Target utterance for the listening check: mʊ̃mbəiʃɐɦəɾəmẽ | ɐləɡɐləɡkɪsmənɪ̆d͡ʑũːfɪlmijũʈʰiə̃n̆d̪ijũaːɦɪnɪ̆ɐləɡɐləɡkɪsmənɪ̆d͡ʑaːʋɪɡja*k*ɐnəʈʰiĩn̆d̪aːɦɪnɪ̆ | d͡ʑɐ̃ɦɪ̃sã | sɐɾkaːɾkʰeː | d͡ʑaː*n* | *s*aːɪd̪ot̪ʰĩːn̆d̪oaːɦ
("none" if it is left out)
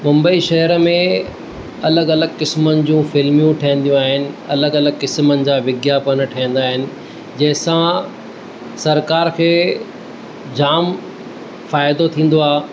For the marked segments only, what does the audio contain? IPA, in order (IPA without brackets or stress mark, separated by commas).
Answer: p, m, f